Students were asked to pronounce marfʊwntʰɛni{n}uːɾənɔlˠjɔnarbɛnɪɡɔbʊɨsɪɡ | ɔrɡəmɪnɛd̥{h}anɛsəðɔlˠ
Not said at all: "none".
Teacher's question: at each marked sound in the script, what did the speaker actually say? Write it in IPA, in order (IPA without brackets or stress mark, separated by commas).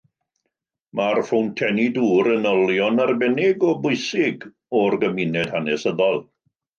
d, h